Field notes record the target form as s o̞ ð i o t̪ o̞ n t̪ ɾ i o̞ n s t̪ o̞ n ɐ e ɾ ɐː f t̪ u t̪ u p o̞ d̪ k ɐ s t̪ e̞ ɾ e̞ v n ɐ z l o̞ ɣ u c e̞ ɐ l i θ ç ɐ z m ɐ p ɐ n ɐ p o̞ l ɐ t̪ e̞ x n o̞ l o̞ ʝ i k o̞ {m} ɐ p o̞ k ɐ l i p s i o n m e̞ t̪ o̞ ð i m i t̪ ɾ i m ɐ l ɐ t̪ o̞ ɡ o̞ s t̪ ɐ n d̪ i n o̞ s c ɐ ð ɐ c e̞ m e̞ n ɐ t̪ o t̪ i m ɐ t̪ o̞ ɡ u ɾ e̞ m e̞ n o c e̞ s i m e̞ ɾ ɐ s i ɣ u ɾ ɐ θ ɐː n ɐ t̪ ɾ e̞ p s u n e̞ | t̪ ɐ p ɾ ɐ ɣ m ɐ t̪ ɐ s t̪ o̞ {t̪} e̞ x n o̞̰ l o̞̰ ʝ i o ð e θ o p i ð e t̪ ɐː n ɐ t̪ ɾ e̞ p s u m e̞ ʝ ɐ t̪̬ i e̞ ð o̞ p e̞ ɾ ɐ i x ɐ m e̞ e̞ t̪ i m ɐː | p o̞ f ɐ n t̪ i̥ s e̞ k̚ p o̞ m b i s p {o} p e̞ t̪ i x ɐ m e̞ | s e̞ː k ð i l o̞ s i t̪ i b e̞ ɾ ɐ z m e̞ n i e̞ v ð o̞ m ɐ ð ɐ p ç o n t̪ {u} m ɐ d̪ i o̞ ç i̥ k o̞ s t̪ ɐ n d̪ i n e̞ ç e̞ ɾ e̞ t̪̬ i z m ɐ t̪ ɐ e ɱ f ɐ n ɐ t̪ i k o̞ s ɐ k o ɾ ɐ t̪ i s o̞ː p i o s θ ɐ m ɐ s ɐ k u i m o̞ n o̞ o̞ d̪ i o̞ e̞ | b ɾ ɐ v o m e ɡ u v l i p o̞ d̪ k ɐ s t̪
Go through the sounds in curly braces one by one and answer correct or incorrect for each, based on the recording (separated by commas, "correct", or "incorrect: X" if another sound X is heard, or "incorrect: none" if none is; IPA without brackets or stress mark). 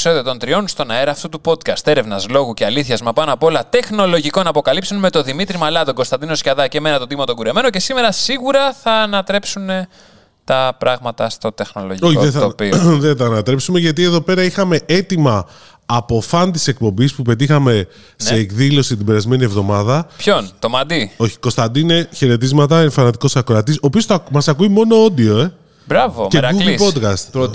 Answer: incorrect: n, correct, incorrect: u, incorrect: o